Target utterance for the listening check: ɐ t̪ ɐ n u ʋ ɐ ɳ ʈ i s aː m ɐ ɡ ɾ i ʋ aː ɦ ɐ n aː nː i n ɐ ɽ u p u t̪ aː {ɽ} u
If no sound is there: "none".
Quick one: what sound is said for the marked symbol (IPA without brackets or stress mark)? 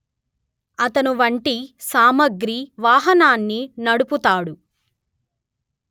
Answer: ɽ